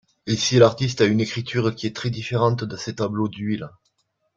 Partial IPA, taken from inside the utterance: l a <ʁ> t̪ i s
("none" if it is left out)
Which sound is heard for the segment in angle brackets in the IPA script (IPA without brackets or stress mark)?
ʁ